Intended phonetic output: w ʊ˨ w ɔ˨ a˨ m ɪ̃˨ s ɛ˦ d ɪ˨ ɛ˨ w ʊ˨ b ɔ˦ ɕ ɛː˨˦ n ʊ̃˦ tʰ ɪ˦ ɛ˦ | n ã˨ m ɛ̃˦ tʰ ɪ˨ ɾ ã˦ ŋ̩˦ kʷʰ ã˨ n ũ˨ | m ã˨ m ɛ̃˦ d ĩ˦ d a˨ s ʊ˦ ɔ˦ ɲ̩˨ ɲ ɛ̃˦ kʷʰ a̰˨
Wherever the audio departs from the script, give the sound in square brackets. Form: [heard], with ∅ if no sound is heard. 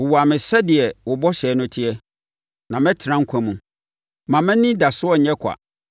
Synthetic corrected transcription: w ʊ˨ w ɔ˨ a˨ m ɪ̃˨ s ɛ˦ d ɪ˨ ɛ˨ w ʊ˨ b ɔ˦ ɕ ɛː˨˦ n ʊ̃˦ tʰ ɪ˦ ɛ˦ | n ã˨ m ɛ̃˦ tʰ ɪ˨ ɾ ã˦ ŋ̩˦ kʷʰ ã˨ [m] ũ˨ | m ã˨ m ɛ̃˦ [n] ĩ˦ d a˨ s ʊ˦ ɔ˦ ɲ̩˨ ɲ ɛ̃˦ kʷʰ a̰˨